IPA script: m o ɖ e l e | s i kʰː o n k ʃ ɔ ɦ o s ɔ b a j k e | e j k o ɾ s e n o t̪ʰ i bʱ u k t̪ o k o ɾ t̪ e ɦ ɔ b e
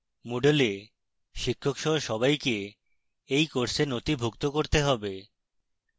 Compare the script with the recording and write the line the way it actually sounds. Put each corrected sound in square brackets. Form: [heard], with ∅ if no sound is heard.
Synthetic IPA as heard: m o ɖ e l e | [ʃ] i kʰː o [∅] k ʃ ɔ ɦ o [ʃ] ɔ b a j k e | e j k o ɾ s e n o [t̪] i bʱ u k t̪ o k o ɾ t̪ e ɦ ɔ b e

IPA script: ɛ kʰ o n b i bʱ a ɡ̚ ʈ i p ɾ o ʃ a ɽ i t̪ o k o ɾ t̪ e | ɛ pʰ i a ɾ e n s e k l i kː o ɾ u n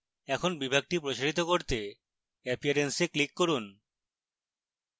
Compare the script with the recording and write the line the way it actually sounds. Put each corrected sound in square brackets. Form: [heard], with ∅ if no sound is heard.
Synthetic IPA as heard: ɛ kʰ o n b i bʱ a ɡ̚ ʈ i p ɾ o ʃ a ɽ i t̪ o k o ɾ t̪ e | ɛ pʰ i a ɾ e n s e k l i kː o ɾ u n

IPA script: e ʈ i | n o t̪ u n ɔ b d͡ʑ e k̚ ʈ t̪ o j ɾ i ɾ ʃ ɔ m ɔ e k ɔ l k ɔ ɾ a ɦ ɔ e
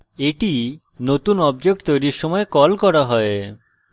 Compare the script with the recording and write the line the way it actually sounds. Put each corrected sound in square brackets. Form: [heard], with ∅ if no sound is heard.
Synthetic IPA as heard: e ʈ i | n o t̪ u n ɔ b d͡ʑ e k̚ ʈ t̪ o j ɾ i ɾ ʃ ɔ m ɔ e k ɔ l k ɔ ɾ a ɦ ɔ e

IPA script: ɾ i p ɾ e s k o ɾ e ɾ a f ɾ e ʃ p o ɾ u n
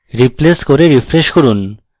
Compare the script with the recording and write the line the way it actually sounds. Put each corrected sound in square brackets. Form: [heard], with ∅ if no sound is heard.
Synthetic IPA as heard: ɾ i p [l] e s k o ɾ e ɾ [i] f ɾ e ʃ [k] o ɾ u n

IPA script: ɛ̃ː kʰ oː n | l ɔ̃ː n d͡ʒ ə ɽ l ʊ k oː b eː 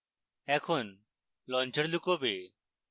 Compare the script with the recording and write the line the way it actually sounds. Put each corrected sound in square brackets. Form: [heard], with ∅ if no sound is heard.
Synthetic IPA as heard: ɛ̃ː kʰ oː n | l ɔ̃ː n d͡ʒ ə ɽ l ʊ k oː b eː

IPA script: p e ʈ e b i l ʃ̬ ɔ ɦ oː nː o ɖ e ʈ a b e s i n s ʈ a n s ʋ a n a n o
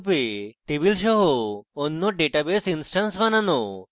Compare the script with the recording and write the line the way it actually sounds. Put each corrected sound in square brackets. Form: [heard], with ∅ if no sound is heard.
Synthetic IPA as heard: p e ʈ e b i l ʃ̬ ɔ ɦ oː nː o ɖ e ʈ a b e s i n s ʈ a n s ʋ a n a n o

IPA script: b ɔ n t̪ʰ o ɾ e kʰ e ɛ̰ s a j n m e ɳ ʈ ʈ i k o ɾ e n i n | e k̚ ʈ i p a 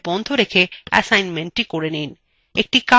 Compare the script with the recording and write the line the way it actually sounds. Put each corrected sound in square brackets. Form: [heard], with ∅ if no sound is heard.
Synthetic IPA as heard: b ɔ n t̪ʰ o ɾ e kʰ e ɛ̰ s a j n m e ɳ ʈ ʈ i k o ɾ e n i n | e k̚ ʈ i [k] a

